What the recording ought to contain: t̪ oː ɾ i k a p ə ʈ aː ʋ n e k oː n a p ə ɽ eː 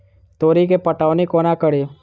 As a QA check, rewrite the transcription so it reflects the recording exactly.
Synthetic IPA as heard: t̪ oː ɾ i k e p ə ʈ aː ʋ n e k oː n a k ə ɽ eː